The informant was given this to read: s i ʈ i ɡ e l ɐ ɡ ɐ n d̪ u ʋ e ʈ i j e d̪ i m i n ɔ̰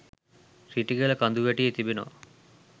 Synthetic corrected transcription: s i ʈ i ɡ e l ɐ k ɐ n d̪ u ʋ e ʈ i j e t̪ i b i n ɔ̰